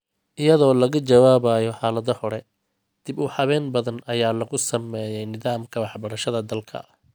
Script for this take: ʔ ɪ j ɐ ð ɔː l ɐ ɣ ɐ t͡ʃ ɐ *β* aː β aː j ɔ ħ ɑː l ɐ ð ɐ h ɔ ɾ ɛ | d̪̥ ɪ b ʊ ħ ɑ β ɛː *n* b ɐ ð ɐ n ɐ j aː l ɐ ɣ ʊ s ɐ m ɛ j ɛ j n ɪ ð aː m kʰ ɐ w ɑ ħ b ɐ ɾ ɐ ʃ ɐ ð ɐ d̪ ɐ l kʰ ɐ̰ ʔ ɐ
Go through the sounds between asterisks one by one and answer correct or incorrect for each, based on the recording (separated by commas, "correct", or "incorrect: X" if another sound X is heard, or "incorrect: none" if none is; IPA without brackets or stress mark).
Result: incorrect: w, correct